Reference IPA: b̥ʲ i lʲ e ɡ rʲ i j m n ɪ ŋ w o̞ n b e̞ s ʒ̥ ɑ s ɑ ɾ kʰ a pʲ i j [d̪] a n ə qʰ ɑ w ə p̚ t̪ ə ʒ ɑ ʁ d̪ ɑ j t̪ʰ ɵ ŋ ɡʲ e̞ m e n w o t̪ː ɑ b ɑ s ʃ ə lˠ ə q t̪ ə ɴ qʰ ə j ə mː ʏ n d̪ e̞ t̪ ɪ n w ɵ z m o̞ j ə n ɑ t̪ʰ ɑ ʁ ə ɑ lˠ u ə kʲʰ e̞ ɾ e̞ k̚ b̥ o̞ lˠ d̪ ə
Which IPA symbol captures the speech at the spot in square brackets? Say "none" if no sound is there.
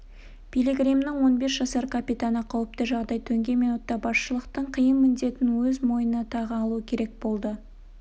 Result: t̪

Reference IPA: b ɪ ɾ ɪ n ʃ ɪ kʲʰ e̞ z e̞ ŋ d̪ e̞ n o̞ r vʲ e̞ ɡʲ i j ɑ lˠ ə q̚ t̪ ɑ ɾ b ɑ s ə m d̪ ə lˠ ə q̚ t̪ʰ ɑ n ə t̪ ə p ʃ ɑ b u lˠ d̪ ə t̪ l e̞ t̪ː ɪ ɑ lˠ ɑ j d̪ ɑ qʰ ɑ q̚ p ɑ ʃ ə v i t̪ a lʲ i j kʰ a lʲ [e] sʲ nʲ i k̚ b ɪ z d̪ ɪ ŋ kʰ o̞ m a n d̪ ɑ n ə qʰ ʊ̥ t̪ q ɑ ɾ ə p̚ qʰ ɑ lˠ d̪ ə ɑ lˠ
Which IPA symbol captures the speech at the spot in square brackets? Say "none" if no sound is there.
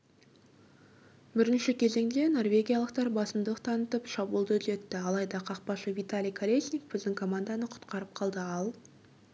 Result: e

